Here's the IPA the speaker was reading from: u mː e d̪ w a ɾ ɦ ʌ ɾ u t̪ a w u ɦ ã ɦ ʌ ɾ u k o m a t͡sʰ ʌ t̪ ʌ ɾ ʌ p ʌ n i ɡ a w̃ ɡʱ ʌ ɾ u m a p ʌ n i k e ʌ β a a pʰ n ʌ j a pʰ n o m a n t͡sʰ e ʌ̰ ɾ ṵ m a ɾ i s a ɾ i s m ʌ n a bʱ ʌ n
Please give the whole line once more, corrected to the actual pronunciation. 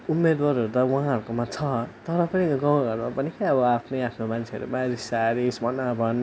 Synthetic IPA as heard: u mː e d̪ w a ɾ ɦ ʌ ɾ u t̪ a w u ɦ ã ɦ ʌ ɾ u k o m a t͡sʰ ʌ t̪ ʌ ɾ ʌ p ʌ n i ɡ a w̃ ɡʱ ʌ ɾ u m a p ʌ n i k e ʌ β ʌ a pʰ n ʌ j a pʰ n o m a n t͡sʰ e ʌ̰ ɾ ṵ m a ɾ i s a ɾ i s m ʌ n a bʱ ʌ n